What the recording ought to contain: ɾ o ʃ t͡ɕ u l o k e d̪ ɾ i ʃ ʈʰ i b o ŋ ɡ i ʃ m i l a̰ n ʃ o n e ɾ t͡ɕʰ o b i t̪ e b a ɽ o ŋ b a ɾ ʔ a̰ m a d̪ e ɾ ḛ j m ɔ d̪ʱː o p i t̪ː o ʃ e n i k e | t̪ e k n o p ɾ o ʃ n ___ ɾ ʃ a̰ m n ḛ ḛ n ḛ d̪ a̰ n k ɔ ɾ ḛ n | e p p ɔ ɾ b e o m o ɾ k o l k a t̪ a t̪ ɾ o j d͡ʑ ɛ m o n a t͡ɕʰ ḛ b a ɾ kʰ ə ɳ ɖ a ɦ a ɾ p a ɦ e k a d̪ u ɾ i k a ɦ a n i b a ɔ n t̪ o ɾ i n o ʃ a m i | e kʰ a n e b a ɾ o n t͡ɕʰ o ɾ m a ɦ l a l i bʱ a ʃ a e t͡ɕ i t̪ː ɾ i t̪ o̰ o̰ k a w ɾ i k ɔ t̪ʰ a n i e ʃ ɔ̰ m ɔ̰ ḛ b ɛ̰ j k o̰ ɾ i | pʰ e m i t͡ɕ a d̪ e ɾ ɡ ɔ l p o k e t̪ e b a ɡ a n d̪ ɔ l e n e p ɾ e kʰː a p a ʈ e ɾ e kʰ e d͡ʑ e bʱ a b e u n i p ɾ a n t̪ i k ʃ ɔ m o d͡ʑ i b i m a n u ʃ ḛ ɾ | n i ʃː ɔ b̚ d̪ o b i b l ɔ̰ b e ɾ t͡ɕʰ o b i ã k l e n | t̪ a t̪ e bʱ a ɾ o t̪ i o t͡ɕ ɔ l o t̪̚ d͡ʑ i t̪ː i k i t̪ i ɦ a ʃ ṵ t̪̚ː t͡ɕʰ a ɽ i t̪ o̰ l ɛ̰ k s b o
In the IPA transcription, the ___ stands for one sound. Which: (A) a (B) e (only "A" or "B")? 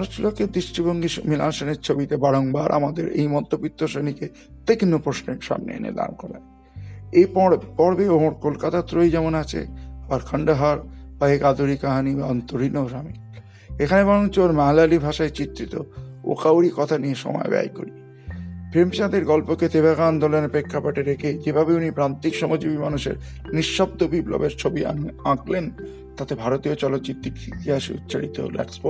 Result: B